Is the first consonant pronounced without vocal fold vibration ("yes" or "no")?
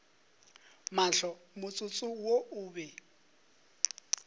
no